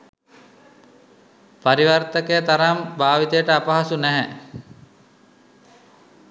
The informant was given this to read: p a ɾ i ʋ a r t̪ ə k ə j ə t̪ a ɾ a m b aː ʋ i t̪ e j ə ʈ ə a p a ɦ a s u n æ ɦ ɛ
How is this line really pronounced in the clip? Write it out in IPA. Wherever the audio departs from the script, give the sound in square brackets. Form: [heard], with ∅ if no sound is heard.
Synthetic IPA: p a ɾ i ʋ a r t̪ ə k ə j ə t̪ a ɾ a m b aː ʋ i t̪ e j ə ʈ ə a p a ɦ a s u n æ ɦ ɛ